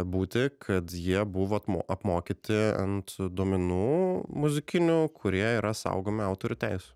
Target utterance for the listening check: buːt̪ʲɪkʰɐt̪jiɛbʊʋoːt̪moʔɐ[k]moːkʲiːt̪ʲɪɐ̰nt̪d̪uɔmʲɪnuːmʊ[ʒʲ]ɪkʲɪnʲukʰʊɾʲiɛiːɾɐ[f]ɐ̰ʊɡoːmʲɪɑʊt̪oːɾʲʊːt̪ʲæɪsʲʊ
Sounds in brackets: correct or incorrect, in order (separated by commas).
incorrect, incorrect, incorrect